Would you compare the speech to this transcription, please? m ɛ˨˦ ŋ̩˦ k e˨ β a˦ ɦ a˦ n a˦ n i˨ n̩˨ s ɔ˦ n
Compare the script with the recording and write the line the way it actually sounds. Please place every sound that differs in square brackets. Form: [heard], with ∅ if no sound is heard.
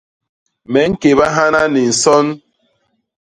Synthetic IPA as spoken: m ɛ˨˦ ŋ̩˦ k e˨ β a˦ ɦ a˦ n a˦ n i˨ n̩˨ s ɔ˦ n